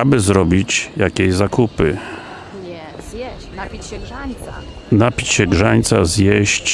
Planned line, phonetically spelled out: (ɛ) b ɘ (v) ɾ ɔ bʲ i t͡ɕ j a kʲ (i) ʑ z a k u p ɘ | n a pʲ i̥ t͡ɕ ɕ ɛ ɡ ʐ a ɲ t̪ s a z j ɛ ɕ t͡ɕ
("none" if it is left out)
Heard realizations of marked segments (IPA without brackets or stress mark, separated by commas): a, z, e